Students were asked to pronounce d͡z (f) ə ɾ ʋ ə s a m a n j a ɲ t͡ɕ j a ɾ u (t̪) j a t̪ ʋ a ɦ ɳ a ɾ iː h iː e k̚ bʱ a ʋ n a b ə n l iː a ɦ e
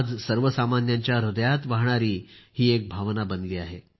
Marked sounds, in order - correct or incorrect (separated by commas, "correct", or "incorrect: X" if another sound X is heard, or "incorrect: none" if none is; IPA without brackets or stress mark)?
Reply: incorrect: s, incorrect: d̪